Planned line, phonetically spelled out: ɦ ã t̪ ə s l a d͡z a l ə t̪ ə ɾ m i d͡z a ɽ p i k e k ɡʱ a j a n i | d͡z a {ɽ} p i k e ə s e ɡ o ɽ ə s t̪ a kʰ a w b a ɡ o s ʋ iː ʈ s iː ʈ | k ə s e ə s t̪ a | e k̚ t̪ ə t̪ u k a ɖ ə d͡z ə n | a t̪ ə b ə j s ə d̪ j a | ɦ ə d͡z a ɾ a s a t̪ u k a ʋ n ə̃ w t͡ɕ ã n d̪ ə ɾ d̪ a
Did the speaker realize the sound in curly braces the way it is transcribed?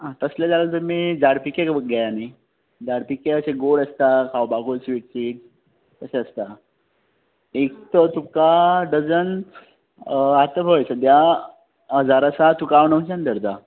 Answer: yes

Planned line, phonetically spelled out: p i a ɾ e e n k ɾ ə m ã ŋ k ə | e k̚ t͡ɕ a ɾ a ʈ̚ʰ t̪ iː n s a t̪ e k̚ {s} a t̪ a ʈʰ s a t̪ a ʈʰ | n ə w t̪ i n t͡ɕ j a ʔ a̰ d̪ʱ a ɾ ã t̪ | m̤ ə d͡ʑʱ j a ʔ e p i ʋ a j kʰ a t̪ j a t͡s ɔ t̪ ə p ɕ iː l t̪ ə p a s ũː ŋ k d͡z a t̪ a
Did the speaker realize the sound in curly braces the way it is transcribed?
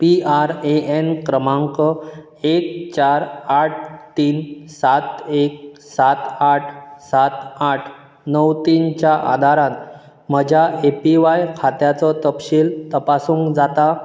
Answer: yes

